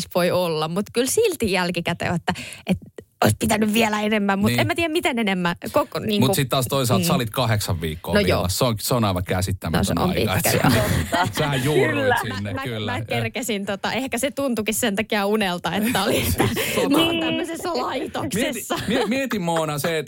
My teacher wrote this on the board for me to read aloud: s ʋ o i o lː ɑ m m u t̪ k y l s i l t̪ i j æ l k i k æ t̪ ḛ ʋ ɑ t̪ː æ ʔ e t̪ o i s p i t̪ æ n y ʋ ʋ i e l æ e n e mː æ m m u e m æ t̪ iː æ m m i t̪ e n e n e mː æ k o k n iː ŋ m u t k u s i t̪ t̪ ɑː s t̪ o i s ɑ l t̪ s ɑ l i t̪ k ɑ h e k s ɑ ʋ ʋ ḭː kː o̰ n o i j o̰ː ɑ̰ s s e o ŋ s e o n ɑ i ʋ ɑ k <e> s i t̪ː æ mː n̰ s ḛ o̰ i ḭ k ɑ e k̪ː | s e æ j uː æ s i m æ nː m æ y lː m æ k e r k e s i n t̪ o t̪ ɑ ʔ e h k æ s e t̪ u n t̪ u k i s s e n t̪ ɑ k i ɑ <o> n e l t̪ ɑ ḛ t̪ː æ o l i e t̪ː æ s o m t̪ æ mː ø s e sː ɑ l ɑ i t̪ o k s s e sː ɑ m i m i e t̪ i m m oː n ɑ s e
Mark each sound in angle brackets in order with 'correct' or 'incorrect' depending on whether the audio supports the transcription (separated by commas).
incorrect, incorrect